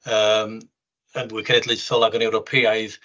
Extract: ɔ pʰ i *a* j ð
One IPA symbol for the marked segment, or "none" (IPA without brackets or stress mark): a